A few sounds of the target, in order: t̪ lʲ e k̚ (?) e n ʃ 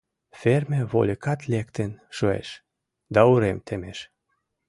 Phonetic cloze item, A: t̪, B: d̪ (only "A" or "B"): A